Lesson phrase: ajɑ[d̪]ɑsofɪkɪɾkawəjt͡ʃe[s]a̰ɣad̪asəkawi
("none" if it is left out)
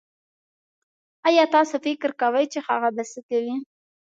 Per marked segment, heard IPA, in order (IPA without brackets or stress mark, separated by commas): t̪, x